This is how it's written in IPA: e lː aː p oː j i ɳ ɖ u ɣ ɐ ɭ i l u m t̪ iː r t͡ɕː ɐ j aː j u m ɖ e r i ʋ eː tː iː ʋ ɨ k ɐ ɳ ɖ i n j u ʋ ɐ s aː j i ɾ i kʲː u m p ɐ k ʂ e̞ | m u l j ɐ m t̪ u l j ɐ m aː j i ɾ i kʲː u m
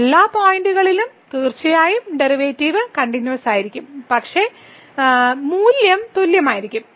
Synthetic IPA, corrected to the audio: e lː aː p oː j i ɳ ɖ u ɣ ɐ ɭ i l u m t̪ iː r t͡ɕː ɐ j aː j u m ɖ e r i ʋ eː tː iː ʋ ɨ k ɐ ɳ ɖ i n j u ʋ ɐ s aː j i ɾ i kʲː u m p ɐ k ʂ e̞ | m uː l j ɐ m t̪ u l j ɐ m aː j i ɾ i kʲː u m

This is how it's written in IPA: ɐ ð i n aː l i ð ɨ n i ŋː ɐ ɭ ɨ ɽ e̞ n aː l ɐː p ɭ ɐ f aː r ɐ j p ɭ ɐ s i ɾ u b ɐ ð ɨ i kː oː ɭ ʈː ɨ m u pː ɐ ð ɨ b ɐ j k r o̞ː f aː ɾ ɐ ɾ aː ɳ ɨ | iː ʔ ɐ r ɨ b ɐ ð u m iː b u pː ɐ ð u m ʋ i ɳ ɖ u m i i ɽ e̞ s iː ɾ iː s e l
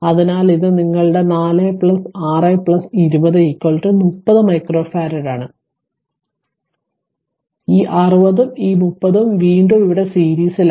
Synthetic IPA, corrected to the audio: ɐ ð i n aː l i ð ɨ n i ŋː ɐ ɭ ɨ ɽ e̞ n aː l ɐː p ɭ ɐ s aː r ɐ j p ɭ ɐ s i ɾ u b ɐ ð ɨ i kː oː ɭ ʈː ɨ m u pː ɐ ð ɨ m ɐ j k r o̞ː f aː ɾ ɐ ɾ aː ɳ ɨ | iː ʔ ɐ r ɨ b ɐ ð u m iː m u pː ɐ ð u m ʋ iː ɳ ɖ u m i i ɽ e̞ s iː ɾ iː s i l

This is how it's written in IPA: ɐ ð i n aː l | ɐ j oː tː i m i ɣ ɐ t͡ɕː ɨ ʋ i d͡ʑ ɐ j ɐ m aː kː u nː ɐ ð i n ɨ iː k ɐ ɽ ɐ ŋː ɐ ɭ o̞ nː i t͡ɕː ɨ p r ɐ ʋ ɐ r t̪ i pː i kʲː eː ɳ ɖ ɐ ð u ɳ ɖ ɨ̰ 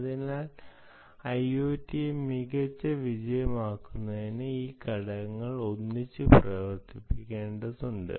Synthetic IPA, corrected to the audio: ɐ ð i n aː l | ɐ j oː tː i m i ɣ ɐ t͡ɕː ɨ ʋ i d͡ʑ ɐ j ɐ m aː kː u nː ɐ ð i n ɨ iː k ɐ ɽ ɐ ŋː ɐ ɭ o̞ nː i t͡ɕː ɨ p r ɐ ʋ ɐ r t̪ i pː i kʲː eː ɳ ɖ ɐ ð u ɳ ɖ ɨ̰

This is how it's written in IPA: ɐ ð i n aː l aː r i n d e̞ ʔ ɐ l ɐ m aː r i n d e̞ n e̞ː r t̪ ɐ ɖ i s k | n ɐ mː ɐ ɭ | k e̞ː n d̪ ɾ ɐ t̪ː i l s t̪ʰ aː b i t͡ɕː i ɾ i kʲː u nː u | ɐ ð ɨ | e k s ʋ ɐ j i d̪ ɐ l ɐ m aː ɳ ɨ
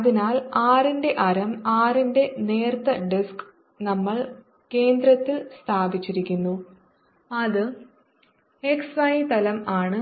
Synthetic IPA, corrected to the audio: ɐ ð i n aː l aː r i n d e̞ ʔ ɐ ɾ ɐ m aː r i n d e̞ n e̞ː r t̪ ɐ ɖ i s k | n ɐ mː ɐ ɭ | k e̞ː n d̪ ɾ ɐ t̪ː i l s t̪ʰ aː b i t͡ɕː i ɾ i kʲː u nː u | ɐ ð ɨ | e k s ʋ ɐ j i t̪ ɐ l ɐ m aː ɳ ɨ

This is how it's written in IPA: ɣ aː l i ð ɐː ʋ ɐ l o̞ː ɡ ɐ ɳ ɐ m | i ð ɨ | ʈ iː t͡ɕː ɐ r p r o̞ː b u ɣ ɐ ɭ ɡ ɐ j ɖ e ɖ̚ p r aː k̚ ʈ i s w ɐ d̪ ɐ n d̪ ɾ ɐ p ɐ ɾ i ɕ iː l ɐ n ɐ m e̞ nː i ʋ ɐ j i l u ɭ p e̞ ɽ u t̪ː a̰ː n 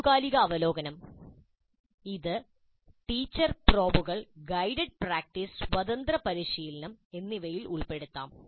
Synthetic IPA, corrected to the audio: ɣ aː l i ɣ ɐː ʋ ɐ l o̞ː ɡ ɐ n ɐ m | i ð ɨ | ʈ iː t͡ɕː ɐ r p r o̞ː b u ɣ ɐ ɭ ɡ ɐ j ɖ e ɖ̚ p r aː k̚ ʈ i s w ɐ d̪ ɐ n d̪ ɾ ɐ p ɐ ɾ i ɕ iː l ɐ n ɐ m e̞ nː i ʋ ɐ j i l u ɭ p e̞ ɽ u t̪ː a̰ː m

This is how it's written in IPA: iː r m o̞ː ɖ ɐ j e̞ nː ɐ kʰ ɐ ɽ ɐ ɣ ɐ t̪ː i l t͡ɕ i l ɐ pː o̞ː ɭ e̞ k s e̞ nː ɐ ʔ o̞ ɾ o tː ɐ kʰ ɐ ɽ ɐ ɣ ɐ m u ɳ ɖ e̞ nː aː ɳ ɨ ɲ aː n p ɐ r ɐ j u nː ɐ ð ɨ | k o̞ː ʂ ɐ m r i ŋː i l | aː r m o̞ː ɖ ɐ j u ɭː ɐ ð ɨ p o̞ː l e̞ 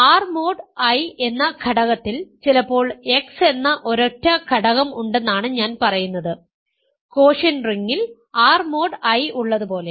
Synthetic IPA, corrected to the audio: aː r m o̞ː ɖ ɐ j e̞ nː ɐ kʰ ɐ ɽ ɐ ɣ ɐ t̪ː i l t͡ɕ i l ɐ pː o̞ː ɭ e̞ k s e̞ nː ɐ ʔ o̞ ɾ o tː ɐ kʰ ɐ ɽ ɐ ɣ ɐ m u ɳ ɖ e̞ nː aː ɳ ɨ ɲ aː n p ɐ r ɐ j u nː ɐ ð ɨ | k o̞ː ʂ ɐ n r i ŋː i l | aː r m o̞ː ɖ ɐ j u ɭː ɐ ð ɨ p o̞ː l e̞

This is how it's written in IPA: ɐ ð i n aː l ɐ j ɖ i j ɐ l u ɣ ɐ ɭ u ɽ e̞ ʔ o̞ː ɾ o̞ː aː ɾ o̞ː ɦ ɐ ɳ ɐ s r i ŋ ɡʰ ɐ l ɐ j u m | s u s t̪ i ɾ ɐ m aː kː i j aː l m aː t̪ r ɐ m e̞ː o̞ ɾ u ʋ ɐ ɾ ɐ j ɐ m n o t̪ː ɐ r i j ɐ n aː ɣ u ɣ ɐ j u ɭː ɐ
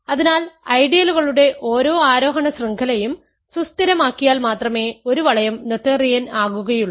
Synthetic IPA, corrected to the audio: ɐ ð i n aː l ɐ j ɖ i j ɐ l u ɣ ɐ ɭ u ɽ e̞ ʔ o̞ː ɾ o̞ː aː ɾ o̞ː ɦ ɐ ɳ ɐ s r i ŋ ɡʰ ɐ l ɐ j u m | s u s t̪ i ɾ ɐ m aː kː i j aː l m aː t̪ r ɐ m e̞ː o̞ ɾ u ʋ ɐ ɭ ɐ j ɐ m n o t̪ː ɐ r i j ɐ n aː ɣ u ɣ ɐ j u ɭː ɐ

